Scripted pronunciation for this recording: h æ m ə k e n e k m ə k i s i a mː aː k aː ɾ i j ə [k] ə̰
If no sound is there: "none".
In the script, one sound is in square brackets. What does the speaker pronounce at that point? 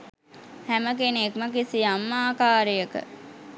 k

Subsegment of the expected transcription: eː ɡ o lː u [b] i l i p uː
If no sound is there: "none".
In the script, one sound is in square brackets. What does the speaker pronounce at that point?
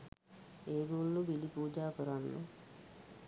b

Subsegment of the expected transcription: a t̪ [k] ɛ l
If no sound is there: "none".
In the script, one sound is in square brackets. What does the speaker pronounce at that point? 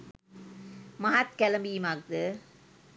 k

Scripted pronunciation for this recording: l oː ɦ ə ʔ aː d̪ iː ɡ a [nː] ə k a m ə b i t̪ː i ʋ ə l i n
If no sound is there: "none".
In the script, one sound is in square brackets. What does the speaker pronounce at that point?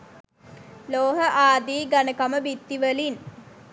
n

